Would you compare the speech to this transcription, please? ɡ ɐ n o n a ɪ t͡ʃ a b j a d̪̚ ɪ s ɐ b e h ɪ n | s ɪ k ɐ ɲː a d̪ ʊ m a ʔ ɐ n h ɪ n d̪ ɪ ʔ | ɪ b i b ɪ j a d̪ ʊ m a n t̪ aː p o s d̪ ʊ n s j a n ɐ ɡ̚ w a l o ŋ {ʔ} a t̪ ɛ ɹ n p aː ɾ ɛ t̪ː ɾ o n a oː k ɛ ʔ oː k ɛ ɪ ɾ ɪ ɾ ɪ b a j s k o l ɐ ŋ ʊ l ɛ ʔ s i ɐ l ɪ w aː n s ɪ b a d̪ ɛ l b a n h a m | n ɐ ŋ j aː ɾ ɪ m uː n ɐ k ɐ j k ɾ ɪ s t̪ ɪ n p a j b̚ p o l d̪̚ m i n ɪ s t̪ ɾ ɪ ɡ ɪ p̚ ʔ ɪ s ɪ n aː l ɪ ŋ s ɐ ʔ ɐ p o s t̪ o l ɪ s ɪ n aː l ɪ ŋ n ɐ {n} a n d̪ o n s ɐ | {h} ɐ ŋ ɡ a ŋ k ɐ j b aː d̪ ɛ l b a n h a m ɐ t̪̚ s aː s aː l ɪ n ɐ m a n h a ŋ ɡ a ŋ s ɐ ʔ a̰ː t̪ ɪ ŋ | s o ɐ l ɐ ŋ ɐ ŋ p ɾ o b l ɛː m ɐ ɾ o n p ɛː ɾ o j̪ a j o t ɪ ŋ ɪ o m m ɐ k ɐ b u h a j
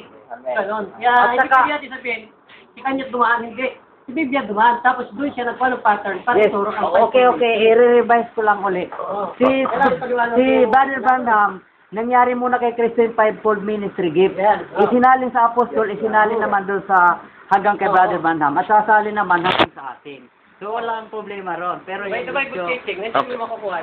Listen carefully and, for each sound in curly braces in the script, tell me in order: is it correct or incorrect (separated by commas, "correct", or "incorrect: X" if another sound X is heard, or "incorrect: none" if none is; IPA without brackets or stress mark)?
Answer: incorrect: p, incorrect: m, correct